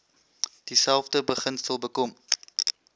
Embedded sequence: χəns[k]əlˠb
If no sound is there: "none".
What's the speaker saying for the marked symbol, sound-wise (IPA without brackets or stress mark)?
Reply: t